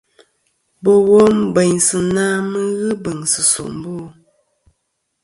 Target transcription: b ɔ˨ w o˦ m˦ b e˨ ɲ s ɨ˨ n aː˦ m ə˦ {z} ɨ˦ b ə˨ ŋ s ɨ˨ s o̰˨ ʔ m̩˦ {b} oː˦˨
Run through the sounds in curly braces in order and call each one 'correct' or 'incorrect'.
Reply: incorrect, correct

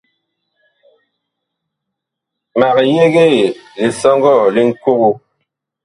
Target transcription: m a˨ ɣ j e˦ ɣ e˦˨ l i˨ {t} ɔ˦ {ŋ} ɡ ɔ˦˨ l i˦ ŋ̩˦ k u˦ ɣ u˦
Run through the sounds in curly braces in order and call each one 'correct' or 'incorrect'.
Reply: incorrect, correct

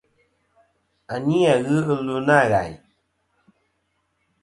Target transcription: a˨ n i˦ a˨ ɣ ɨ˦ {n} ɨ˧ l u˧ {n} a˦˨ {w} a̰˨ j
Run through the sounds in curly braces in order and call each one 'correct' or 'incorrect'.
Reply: incorrect, correct, incorrect

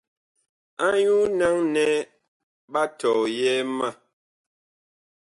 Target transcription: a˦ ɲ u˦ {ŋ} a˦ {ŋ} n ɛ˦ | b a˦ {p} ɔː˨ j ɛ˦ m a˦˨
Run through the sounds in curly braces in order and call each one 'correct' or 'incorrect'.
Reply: incorrect, correct, incorrect

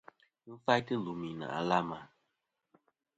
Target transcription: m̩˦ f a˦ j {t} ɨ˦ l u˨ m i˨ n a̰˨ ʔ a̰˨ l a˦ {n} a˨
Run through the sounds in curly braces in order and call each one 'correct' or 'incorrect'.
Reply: correct, incorrect

